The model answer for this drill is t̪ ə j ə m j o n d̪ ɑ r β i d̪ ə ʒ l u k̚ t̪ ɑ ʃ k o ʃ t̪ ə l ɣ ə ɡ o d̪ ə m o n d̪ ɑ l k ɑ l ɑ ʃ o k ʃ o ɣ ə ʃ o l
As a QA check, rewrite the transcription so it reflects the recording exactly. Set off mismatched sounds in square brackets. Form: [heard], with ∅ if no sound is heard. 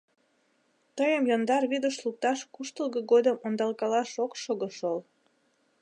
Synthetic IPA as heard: t̪ ə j ə m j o n d̪ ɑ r β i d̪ ə [ʃ] l u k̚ t̪ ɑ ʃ k [u] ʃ t̪ ə l ɣ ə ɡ o d̪ ə m o n d̪ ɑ l k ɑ l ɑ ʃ o k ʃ o ɣ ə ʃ o l